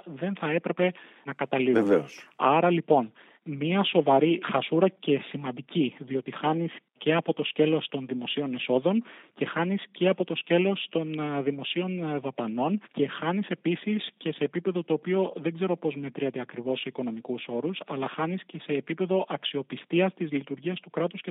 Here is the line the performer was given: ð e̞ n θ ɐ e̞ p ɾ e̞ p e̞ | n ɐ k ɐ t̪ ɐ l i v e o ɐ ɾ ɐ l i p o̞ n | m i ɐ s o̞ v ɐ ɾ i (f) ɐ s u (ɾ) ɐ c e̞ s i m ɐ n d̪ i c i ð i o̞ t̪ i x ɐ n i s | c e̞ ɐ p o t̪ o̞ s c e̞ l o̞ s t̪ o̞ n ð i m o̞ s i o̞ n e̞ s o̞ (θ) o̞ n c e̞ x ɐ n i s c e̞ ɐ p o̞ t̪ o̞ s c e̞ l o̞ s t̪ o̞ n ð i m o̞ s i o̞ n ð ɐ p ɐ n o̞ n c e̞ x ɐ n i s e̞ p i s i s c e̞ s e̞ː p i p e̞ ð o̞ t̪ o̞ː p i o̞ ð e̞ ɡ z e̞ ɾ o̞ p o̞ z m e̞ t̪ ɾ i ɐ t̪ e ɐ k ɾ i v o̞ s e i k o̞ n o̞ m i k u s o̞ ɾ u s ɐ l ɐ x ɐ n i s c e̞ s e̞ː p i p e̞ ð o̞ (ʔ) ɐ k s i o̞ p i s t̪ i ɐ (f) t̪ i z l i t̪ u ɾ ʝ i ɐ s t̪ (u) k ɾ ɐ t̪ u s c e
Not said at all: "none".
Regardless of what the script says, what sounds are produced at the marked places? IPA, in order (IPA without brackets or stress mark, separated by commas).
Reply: x, ɾ, ð, ʔ, s, u